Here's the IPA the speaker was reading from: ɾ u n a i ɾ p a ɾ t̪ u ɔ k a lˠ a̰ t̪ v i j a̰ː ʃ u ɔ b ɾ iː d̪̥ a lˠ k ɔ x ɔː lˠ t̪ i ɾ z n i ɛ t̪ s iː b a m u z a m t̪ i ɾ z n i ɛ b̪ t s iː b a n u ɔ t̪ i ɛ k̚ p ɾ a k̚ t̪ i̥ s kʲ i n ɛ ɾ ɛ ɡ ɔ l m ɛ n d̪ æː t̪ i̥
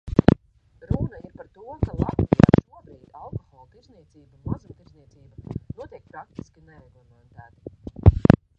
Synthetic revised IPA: ɾ u n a i ɾ p a ɾ t̪ u ɔ k a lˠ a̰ t̪ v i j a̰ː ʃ u ɔ b ɾ iː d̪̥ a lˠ k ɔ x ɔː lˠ t̪ i ɾ z n i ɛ t̪ s iː b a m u z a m t̪ i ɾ z n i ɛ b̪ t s iː b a n u ɔ t̪ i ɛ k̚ p ɾ a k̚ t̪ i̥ s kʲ i n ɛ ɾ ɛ ɡ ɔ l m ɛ n t̪ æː t̪ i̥

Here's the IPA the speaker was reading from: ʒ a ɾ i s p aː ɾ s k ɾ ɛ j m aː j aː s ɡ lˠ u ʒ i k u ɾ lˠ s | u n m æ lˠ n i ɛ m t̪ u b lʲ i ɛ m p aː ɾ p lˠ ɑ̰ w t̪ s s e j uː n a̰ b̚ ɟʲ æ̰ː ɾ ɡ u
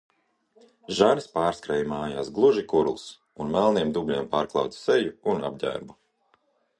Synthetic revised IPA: ʒ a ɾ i s p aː ɾ s k ɾ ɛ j m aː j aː s ɡ lˠ u ʒ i k u ɾ lˠ s | u n m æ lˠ n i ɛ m d̪ u b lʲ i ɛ m p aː ɾ k lˠ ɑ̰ w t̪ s s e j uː n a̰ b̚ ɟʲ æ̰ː ɾ b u

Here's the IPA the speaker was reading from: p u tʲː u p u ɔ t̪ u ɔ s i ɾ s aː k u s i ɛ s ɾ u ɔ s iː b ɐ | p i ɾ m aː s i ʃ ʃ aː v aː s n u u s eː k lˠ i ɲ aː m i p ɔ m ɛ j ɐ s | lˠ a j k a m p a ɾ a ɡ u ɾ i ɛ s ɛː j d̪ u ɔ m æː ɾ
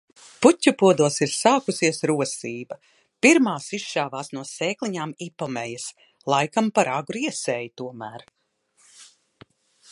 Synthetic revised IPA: p u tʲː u p u ɔ d̪ u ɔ s i ɾ s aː k u s i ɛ s ɾ u ɔ s iː b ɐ | p i ɾ m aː s i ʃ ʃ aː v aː s n u ɔ s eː k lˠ i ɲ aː m i p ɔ m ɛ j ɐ s | lˠ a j k a m p a ɾ a ɡ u ɾ i ɛ s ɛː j t̪ u ɔ m æː ɾ

